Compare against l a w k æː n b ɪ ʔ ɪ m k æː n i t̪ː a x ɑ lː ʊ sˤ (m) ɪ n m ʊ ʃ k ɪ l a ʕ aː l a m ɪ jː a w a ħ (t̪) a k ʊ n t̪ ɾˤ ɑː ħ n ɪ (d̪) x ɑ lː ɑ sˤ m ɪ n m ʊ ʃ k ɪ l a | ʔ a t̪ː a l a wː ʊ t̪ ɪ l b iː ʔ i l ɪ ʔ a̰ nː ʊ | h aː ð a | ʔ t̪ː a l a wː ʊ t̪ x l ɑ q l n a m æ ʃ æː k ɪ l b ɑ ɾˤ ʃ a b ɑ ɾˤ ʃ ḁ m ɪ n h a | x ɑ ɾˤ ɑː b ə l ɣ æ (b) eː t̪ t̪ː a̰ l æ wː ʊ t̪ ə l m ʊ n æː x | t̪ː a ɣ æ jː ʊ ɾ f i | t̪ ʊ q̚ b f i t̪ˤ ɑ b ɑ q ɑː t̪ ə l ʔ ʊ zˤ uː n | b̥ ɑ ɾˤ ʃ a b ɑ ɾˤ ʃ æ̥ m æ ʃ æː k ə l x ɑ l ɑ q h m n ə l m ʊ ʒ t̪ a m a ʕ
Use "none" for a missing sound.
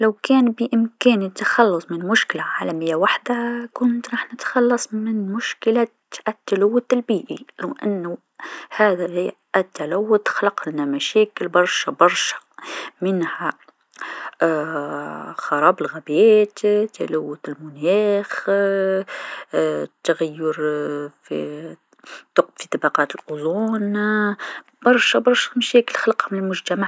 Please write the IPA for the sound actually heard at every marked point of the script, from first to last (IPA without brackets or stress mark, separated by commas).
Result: m, d̪, t̪, b